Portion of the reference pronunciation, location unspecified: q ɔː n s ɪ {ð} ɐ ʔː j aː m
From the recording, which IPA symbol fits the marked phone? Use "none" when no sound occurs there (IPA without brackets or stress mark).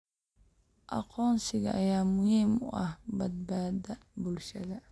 ɣ